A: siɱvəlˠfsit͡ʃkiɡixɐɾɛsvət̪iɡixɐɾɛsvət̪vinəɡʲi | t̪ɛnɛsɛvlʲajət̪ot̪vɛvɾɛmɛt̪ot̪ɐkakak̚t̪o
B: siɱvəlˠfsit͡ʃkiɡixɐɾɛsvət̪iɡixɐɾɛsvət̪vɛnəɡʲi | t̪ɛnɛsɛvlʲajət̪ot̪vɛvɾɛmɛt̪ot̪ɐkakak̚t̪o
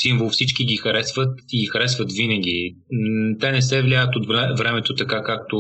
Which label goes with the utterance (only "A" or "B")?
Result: A